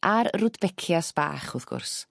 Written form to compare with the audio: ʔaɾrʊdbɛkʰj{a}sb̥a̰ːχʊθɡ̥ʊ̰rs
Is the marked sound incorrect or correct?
correct